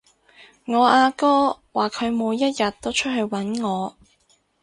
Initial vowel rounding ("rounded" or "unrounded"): rounded